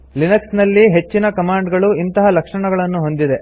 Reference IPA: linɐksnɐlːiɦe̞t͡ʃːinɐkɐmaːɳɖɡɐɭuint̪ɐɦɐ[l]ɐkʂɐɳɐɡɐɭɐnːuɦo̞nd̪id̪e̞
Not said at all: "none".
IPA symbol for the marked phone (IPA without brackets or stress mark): l